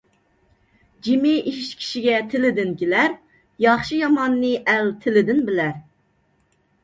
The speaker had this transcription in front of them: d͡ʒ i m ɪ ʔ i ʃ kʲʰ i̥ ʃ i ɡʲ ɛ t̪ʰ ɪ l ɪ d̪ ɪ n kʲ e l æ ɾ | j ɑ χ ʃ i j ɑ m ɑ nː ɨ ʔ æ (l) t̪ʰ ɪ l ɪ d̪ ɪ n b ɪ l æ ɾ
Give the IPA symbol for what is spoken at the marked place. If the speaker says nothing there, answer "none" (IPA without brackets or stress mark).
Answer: l